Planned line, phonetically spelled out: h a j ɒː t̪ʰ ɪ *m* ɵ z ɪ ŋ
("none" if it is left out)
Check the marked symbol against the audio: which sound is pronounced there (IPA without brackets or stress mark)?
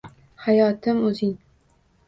m